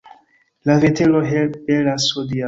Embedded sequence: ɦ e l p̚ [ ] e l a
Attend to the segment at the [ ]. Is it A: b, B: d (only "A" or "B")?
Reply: A